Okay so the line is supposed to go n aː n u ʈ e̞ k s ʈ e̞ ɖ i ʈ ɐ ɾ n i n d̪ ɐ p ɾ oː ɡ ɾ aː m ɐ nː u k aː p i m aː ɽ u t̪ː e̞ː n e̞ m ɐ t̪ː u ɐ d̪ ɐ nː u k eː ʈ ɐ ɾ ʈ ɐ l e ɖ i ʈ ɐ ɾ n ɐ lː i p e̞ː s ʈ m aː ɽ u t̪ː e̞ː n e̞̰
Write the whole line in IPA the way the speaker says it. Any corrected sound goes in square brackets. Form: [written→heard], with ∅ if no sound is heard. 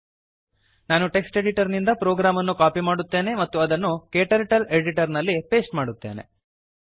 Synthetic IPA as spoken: n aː n u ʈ e̞ k s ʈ e̞ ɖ i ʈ ɐ ɾ n i n d̪ ɐ p ɾ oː ɡ ɾ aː m ɐ nː u k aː p i m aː ɽ u t̪ː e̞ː n e̞ m ɐ t̪ː u ɐ d̪ ɐ nː u k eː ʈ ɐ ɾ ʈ ɐ l e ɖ i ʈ ɐ ɾ n ɐ lː i p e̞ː s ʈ m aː ɽ u t̪ː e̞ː n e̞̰